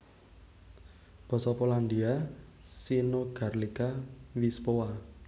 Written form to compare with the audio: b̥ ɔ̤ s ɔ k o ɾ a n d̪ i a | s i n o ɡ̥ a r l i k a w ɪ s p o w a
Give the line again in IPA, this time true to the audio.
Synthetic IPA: b̥ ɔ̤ s ɔ p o l a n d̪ i a | s i n o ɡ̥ a r l i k a w i s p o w a